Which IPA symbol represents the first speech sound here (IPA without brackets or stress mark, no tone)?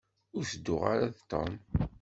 ʊ